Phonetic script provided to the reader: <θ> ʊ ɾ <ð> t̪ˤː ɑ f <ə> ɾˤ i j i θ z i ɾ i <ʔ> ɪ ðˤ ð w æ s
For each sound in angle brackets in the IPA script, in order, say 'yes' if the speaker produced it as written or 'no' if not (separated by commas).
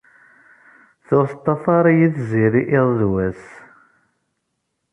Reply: yes, no, no, yes